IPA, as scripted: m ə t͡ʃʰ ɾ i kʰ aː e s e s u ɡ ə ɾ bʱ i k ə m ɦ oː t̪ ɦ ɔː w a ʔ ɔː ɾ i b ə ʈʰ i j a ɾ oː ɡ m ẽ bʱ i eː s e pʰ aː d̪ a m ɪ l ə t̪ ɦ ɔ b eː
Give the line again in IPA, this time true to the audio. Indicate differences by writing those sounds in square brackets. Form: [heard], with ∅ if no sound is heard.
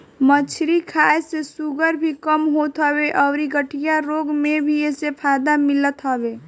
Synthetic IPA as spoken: m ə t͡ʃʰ ɾ i kʰ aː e s e s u ɡ ə ɾ bʱ i k ə m ɦ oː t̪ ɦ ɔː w [e] ʔ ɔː ɾ i [ɡ] ə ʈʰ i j a ɾ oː ɡ m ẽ bʱ i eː s e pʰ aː d̪ a m ɪ l ə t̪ ɦ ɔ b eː